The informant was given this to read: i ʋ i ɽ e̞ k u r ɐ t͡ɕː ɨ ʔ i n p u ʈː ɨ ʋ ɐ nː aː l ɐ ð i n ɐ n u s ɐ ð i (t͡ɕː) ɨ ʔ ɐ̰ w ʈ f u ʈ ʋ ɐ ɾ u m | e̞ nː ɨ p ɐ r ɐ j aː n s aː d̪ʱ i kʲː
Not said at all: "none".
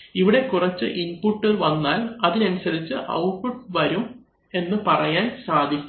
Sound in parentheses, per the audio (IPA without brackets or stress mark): t͡ɕː